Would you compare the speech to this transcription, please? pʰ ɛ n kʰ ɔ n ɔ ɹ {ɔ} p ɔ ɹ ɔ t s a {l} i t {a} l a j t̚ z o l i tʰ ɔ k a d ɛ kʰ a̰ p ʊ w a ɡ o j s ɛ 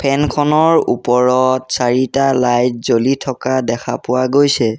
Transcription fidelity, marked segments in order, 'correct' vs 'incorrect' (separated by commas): incorrect, incorrect, correct